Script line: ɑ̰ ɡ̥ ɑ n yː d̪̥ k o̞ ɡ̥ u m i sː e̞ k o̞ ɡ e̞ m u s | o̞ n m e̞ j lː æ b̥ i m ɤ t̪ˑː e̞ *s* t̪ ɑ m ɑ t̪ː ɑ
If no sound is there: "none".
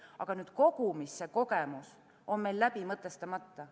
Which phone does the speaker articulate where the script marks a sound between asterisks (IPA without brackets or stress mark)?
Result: s